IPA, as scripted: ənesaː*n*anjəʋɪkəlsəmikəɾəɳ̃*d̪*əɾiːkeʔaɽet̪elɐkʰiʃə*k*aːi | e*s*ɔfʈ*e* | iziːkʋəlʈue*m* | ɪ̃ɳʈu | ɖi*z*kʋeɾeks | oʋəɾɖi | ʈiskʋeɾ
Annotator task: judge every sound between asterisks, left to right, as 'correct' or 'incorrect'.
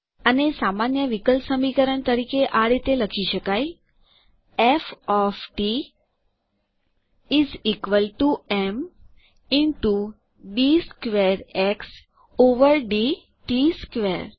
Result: incorrect, incorrect, correct, incorrect, incorrect, correct, incorrect

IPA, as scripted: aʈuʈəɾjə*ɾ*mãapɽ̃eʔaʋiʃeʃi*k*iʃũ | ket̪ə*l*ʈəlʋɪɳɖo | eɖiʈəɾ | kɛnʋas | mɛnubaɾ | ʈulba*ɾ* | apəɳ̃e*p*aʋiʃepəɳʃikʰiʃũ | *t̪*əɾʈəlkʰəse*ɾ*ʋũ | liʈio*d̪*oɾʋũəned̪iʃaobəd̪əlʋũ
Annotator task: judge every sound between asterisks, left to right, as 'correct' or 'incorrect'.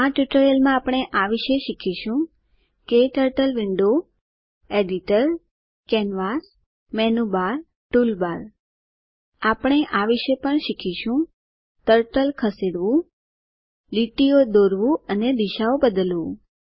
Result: incorrect, incorrect, incorrect, correct, incorrect, correct, incorrect, correct

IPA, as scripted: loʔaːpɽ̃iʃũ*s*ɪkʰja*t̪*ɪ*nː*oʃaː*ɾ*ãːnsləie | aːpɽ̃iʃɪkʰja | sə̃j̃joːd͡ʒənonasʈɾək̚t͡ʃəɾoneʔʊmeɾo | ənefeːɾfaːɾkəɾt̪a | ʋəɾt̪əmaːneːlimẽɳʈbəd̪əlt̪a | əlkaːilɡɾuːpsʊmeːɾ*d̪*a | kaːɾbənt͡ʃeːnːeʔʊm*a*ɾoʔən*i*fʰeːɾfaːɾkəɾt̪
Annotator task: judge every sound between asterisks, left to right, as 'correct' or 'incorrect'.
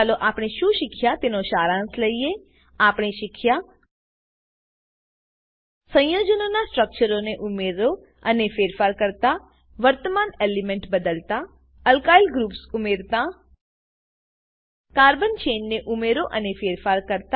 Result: incorrect, correct, incorrect, correct, incorrect, incorrect, incorrect

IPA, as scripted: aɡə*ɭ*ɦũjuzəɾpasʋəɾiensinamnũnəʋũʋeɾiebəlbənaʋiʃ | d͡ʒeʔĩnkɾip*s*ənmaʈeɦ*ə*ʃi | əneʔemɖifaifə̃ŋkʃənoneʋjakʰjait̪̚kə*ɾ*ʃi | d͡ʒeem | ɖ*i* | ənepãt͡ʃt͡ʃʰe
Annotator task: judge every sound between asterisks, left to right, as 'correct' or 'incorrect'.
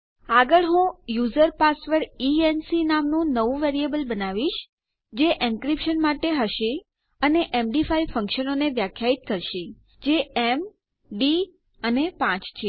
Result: correct, incorrect, correct, correct, correct

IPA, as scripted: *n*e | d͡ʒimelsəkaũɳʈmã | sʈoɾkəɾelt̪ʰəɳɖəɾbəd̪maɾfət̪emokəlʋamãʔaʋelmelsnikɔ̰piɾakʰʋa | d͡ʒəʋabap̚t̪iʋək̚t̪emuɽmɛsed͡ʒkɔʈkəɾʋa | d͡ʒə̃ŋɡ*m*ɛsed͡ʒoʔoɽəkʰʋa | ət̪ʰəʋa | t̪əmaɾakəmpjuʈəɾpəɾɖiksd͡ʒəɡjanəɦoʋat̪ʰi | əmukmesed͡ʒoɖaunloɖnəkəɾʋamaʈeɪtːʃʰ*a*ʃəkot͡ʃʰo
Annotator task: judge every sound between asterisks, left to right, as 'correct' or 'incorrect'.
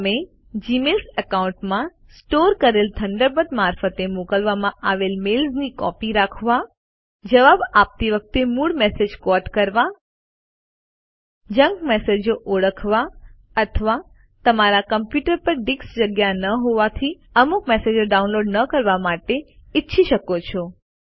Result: incorrect, correct, incorrect

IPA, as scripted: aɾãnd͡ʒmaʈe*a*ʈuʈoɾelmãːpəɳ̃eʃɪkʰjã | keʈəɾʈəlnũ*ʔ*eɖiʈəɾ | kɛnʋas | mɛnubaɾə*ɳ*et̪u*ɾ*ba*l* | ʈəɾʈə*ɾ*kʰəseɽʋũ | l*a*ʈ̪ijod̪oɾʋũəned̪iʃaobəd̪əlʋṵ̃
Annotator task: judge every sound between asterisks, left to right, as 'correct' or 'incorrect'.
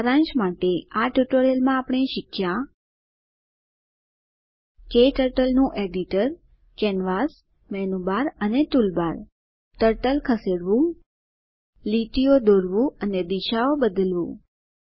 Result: correct, correct, incorrect, incorrect, incorrect, incorrect, incorrect

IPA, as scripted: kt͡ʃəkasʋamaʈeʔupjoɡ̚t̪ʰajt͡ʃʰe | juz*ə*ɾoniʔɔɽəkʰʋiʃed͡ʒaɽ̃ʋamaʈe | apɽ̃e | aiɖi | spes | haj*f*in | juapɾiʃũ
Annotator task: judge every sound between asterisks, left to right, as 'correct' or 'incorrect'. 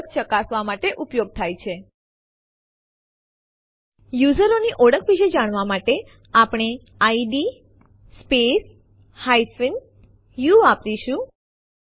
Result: correct, correct

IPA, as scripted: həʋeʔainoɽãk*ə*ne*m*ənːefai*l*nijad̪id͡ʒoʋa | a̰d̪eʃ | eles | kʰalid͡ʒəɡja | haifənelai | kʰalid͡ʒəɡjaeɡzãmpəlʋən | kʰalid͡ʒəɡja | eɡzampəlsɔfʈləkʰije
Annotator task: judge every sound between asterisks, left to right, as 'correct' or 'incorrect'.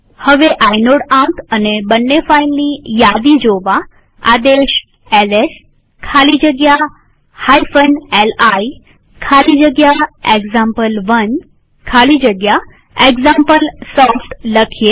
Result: correct, incorrect, correct

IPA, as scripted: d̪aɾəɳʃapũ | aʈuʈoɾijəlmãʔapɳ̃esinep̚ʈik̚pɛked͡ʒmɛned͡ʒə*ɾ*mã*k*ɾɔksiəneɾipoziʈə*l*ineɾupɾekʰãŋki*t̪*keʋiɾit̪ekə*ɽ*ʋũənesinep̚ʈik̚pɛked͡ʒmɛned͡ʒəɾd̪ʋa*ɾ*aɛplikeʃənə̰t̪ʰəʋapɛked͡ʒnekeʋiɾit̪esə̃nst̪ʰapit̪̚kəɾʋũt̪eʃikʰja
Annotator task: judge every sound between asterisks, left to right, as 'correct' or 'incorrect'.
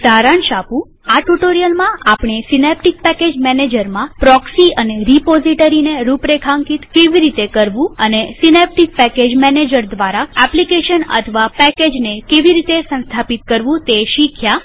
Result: correct, incorrect, incorrect, correct, incorrect, correct

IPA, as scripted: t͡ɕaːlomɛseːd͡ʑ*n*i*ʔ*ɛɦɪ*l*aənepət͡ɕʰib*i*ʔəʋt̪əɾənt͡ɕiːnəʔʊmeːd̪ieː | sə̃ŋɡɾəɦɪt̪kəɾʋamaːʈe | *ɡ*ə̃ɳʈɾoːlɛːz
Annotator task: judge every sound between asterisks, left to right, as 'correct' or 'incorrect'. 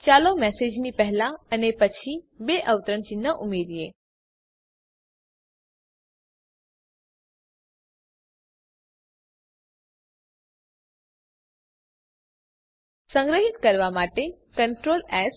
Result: correct, incorrect, correct, incorrect, incorrect

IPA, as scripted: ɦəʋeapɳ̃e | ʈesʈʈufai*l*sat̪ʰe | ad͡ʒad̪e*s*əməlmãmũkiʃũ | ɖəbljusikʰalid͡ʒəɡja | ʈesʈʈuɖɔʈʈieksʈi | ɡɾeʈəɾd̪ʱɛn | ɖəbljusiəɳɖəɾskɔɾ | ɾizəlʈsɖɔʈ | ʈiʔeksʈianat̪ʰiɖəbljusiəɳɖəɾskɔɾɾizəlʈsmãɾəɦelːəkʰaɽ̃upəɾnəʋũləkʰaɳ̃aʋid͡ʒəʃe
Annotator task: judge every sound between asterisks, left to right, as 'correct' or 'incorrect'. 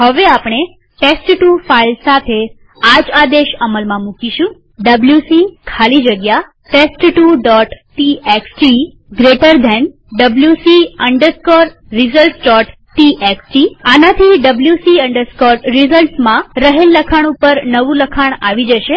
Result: correct, incorrect

